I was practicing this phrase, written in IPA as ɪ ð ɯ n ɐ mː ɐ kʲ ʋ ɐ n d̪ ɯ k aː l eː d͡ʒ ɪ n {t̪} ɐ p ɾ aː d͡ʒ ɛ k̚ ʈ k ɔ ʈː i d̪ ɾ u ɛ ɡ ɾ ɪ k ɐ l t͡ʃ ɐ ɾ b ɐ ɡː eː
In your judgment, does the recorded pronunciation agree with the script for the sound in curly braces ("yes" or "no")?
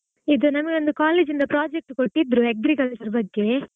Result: no